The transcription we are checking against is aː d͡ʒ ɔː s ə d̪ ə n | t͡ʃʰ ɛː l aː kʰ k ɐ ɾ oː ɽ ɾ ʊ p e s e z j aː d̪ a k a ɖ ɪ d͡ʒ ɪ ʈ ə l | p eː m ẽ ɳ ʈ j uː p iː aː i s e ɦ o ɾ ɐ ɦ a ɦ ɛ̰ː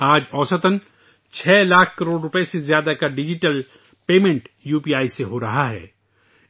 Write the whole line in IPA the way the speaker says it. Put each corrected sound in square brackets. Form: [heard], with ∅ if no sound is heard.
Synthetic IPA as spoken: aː d͡ʒ ɔː s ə [t̪] ə n | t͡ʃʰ ɛː l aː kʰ k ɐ ɾ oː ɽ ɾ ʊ p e s e z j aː d̪ a k a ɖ ɪ d͡ʒ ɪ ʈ ə l | p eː m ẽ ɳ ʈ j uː p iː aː i s e ɦ o ɾ ɐ ɦ a ɦ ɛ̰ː

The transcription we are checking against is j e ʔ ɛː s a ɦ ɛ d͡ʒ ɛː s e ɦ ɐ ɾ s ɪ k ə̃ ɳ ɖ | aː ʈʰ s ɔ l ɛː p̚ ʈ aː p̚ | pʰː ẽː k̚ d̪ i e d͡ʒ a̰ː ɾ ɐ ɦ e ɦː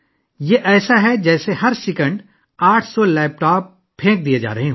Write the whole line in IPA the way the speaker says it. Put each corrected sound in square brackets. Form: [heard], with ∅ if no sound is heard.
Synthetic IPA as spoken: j e ʔ ɛː s a ɦ ɛ d͡ʒ ɛː s e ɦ ɐ ɾ s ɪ k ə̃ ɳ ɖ | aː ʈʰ s ɔ l ɛː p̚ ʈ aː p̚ | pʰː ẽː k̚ d̪ i e d͡ʒ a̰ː ɾ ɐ ɦ e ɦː

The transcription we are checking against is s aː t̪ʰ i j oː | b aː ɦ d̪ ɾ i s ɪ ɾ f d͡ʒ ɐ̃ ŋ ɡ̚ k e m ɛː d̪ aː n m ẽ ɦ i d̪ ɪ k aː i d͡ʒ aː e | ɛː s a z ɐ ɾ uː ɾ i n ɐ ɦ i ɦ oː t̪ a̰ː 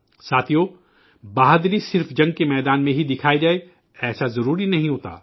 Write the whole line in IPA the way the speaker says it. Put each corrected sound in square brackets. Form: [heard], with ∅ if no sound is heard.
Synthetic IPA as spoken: s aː t̪ʰ i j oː | b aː ɦ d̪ ɾ i s ɪ ɾ f d͡ʒ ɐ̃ ŋ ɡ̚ k e m ɛː d̪ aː n m ẽ ɦ i d̪ ɪ [kʰ] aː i d͡ʒ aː e | ɛː s a z ɐ ɾ uː ɾ i n ɐ ɦ [ĩ] ɦ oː t̪ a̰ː

